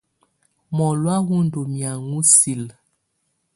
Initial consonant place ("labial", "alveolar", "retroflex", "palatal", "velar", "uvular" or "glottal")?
labial